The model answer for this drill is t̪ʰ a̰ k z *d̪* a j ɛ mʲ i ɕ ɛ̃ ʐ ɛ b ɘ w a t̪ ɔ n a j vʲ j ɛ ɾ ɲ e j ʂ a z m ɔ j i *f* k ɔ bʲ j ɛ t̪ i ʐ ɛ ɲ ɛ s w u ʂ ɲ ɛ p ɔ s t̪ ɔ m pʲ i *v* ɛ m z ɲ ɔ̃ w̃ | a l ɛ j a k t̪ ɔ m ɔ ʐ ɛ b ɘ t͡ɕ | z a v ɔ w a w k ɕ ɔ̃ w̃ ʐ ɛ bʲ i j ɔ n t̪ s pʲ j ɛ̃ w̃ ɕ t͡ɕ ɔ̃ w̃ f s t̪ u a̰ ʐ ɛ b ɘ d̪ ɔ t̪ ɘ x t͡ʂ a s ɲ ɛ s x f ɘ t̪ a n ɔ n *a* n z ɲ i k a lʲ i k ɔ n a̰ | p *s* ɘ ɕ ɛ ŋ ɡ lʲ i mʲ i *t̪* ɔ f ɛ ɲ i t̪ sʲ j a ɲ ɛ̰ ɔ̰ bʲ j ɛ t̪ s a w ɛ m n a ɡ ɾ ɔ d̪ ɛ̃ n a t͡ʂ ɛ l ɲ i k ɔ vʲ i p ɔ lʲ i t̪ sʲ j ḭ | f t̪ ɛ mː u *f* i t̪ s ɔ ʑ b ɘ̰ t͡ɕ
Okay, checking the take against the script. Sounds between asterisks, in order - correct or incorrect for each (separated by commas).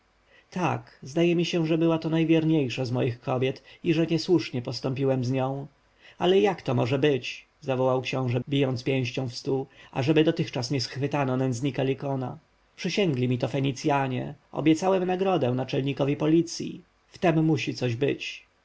correct, incorrect, incorrect, incorrect, incorrect, correct, incorrect